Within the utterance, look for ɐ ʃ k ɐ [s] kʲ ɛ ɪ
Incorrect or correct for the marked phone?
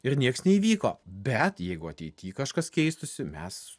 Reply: correct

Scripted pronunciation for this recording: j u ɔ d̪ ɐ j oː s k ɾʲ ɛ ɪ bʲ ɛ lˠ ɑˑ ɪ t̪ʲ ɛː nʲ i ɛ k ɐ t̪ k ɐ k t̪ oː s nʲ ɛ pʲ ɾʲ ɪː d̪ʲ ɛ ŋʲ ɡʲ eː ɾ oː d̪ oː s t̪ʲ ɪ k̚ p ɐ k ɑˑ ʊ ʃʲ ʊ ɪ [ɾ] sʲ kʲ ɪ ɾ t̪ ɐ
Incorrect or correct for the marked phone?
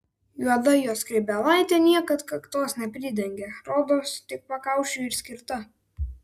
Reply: correct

